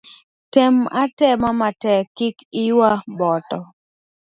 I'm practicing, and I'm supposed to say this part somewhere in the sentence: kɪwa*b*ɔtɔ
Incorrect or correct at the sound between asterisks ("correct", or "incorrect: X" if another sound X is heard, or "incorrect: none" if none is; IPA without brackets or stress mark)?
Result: correct